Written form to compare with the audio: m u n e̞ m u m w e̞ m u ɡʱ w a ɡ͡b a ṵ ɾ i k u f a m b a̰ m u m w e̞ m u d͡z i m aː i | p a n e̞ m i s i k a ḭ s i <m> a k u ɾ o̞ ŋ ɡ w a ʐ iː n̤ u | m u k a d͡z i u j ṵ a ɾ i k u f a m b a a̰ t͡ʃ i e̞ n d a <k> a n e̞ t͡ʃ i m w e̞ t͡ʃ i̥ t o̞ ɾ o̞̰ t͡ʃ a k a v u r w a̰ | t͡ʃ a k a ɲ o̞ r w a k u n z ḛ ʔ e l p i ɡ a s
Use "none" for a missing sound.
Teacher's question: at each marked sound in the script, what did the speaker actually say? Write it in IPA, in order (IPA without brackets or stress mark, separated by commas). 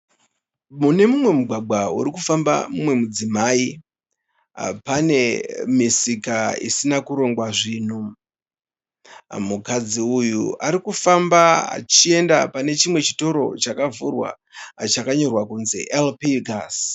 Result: n, p